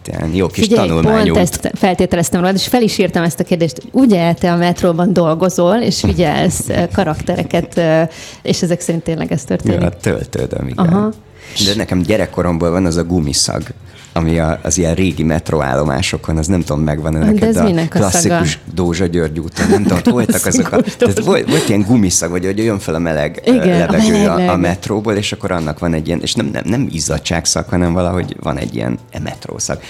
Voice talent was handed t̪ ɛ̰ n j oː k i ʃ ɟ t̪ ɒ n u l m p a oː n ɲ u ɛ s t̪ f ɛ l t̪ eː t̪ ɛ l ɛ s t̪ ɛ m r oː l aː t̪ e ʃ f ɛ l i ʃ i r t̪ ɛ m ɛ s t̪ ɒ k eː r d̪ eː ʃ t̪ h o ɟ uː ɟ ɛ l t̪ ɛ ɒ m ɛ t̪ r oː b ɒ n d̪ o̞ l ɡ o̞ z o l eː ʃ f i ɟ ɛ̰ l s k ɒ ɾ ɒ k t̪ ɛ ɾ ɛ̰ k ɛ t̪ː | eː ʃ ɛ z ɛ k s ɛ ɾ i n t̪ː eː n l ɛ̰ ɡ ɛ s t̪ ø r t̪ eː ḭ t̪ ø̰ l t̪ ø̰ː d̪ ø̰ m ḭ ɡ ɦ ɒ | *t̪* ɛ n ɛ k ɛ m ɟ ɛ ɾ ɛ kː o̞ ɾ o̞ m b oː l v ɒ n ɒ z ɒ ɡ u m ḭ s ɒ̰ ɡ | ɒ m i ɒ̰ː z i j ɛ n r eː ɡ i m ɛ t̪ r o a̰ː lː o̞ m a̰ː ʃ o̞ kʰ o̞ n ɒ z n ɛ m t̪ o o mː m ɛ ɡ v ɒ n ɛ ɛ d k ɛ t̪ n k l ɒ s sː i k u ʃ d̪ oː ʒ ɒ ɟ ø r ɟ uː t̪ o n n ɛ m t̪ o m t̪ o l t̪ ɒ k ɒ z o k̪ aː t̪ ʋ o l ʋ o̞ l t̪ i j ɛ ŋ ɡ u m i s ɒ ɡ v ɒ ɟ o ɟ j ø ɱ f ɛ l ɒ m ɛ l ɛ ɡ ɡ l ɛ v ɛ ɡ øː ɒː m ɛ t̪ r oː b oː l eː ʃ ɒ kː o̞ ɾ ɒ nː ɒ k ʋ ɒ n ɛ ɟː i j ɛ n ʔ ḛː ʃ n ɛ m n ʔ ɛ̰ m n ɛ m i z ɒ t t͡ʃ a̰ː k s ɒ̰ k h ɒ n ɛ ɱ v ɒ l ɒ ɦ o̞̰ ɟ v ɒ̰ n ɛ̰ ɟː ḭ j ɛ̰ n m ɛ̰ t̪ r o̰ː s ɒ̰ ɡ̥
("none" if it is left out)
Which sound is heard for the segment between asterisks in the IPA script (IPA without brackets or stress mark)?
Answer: d̪